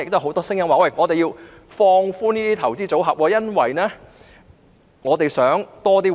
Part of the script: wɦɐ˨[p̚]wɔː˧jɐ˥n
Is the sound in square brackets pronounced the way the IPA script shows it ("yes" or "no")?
yes